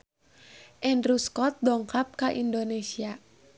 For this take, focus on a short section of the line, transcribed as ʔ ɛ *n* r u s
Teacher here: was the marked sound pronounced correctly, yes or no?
yes